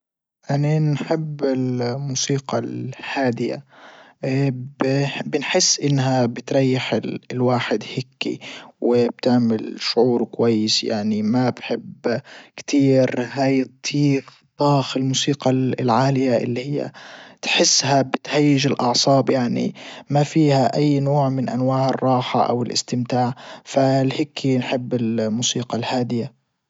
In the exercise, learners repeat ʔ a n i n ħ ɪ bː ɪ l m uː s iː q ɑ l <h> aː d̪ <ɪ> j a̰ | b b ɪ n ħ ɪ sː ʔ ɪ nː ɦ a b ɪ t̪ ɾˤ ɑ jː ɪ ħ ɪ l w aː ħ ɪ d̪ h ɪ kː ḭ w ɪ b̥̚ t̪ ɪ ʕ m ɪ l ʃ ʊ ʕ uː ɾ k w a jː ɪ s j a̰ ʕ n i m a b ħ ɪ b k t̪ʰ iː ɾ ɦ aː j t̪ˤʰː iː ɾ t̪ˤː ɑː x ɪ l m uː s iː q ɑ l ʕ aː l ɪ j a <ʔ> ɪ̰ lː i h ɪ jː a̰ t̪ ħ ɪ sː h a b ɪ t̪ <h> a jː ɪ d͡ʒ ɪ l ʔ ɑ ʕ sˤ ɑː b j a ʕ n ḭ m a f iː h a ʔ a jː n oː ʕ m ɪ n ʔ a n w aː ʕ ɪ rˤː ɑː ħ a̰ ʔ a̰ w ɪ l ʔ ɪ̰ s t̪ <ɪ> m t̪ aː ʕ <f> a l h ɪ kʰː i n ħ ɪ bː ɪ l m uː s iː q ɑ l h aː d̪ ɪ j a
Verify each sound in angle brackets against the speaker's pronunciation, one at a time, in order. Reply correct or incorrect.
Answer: correct, correct, correct, correct, correct, correct

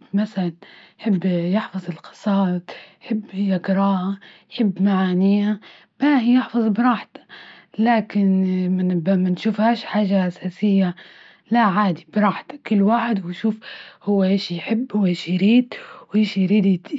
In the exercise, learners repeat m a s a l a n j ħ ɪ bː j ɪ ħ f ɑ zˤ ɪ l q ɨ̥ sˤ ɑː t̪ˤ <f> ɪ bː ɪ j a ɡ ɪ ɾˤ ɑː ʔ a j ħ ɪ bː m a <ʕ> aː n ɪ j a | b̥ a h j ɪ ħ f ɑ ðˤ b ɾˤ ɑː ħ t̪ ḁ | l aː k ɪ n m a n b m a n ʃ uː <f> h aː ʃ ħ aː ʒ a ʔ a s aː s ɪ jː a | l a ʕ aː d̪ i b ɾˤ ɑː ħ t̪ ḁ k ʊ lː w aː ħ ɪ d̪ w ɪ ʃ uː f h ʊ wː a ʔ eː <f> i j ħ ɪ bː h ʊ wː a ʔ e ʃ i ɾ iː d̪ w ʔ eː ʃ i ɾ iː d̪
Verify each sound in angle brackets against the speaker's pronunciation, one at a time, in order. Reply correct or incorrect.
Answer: incorrect: ħ, correct, correct, incorrect: ʃ

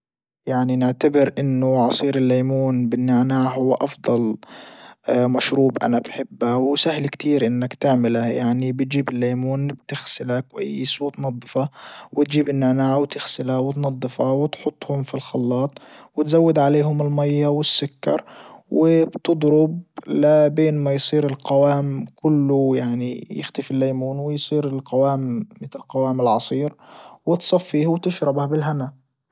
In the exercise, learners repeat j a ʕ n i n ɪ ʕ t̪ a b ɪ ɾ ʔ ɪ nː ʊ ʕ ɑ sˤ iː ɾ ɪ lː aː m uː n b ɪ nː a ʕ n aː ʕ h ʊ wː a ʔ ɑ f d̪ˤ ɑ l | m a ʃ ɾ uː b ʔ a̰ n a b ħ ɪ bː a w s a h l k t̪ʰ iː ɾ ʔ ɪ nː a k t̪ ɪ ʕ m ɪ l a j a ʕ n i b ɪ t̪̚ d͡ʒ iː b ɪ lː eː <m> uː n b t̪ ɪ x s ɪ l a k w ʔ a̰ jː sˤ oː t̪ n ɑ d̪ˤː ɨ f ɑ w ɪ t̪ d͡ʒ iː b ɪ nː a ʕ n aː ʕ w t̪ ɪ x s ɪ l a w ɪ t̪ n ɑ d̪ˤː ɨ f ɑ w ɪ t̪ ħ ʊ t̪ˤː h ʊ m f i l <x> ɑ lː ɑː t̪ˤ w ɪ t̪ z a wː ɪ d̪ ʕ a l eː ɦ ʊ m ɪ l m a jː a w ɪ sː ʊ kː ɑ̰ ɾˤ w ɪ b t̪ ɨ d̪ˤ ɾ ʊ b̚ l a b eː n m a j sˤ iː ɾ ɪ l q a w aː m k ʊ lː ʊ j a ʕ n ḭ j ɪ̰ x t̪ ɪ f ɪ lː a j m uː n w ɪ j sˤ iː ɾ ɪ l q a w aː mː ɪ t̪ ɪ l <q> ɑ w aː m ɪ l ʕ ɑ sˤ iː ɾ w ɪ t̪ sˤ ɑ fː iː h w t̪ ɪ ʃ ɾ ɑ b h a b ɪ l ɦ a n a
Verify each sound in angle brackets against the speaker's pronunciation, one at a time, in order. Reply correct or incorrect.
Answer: correct, correct, correct

